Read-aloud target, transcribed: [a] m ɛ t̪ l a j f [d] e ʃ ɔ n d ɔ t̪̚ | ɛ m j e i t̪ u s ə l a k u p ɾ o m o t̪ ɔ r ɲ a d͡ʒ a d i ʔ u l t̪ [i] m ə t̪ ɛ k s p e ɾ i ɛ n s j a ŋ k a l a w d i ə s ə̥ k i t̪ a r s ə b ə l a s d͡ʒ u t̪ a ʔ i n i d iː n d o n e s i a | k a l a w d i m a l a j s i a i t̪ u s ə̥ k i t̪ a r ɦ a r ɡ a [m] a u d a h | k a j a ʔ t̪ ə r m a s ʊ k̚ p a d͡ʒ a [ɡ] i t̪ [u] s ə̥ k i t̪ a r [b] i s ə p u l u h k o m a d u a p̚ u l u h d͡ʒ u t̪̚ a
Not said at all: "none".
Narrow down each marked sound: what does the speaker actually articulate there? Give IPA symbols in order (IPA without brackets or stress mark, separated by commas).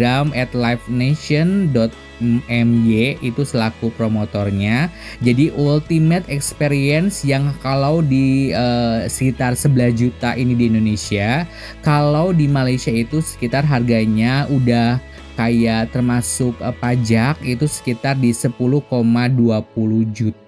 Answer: a, n, i, ɲ, k, u, d